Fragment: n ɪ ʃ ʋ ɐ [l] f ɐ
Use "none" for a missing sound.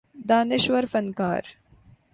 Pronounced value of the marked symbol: ɾ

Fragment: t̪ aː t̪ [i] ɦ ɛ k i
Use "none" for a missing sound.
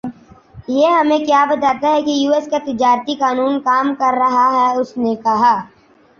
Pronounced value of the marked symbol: a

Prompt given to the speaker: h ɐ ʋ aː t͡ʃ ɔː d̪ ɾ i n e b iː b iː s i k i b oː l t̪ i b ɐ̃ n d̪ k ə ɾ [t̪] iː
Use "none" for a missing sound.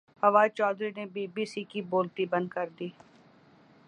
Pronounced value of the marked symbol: d̪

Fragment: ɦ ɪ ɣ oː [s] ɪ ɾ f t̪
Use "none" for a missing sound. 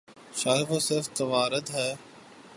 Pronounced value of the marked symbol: s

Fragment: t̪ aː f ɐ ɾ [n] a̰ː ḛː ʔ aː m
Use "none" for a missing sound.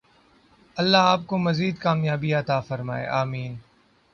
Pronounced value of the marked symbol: m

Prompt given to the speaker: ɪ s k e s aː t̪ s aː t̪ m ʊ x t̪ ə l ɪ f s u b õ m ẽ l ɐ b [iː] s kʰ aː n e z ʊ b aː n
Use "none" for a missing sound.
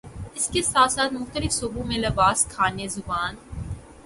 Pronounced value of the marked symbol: aː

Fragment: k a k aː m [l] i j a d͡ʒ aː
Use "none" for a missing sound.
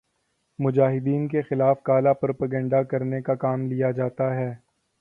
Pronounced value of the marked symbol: l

